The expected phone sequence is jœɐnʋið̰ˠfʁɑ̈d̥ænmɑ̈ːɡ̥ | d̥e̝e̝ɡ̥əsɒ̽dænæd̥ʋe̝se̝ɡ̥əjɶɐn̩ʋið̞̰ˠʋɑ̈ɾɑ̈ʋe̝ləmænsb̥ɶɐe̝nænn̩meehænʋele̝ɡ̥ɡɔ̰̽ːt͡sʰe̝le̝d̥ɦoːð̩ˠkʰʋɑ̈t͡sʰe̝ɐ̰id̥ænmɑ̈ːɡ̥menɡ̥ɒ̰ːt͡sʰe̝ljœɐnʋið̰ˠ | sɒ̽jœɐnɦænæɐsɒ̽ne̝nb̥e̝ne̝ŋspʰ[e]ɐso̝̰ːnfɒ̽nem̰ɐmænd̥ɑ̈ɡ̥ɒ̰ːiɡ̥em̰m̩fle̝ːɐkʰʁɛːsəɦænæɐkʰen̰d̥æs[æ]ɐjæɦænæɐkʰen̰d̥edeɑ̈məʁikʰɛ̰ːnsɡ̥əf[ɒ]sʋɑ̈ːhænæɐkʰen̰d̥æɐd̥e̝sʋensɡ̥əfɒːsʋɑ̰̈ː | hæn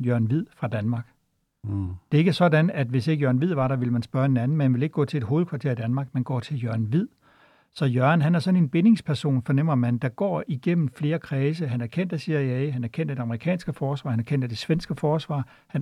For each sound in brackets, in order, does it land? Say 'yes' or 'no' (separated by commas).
no, no, no